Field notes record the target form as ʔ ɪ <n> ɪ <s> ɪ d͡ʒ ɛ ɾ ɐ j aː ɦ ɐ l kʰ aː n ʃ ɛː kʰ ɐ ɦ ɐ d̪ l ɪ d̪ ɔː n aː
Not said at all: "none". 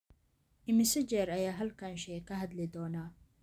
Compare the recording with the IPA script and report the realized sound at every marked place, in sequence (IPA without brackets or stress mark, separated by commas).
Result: m, s